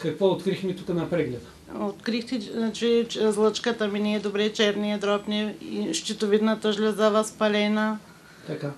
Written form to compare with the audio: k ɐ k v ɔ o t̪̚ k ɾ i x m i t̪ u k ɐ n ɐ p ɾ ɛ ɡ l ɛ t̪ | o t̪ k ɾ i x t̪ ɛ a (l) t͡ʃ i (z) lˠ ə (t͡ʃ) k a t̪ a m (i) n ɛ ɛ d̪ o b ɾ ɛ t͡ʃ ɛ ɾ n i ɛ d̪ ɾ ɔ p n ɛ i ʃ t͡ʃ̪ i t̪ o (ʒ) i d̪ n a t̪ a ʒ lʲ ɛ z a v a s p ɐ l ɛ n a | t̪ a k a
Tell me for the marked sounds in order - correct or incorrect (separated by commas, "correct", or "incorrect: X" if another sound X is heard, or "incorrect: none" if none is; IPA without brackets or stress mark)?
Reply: incorrect: none, correct, correct, correct, incorrect: v